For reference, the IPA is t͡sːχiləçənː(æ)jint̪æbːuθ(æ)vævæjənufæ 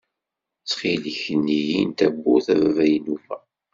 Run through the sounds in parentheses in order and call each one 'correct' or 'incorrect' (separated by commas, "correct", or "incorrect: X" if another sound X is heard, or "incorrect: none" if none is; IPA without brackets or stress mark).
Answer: incorrect: i, correct